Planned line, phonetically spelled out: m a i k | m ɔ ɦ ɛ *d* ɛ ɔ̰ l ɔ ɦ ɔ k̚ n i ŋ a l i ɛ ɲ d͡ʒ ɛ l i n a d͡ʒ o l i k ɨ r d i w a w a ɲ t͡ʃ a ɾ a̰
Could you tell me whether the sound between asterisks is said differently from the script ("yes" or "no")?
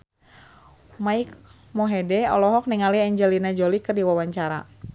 no